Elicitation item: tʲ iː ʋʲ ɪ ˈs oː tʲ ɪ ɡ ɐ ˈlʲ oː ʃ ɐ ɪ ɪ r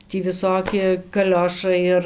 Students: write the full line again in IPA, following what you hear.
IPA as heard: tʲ iː ʋʲ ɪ ˈs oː kʲ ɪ k ɐ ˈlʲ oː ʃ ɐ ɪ ɪ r

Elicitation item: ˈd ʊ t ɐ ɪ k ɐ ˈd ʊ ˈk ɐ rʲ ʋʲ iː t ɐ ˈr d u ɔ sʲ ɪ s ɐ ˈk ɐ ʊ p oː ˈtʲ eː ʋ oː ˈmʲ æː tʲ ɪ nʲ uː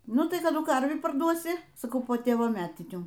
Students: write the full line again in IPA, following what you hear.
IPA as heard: ˈn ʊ t ɐ ɪ k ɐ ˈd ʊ ˈk ɐ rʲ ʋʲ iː p ɐ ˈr d u ɔ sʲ ɪ s ɐ ˈk ɐ ʊ p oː ˈtʲ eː ʋ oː ˈmʲ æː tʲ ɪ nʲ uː

